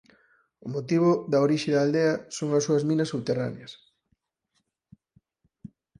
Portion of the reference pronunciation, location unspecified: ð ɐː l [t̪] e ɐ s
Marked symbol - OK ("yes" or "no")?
no